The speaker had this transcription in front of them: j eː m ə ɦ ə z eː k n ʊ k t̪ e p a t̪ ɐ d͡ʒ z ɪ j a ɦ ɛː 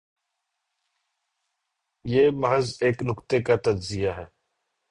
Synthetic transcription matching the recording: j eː m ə ɦ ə z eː k n ʊ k t̪ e k a t̪ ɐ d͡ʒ z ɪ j a ɦ ɛː